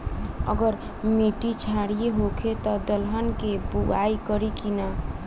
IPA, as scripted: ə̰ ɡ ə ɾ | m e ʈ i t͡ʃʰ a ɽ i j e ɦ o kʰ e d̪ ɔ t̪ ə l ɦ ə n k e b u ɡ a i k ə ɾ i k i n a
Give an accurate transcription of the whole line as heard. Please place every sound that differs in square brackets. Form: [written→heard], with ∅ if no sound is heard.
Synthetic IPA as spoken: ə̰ ɡ ə ɾ | m e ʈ i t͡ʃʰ a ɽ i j e ɦ o kʰ e [d̪→t̪] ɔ [t̪→d̪] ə l ɦ ə n k e b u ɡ a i k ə ɾ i k i n a